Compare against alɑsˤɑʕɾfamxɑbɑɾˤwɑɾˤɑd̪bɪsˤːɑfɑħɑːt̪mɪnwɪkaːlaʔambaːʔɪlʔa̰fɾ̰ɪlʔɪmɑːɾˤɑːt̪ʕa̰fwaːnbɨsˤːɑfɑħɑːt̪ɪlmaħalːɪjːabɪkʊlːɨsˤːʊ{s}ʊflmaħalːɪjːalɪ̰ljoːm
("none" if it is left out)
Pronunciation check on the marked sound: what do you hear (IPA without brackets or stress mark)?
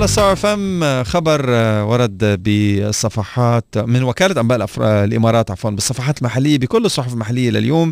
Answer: ħ